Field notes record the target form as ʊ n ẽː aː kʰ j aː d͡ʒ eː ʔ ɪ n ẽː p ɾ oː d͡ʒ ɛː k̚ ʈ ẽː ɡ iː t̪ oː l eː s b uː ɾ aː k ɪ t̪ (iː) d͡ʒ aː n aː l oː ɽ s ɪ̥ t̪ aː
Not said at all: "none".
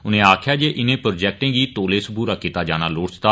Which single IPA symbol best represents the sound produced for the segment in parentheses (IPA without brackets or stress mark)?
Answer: aː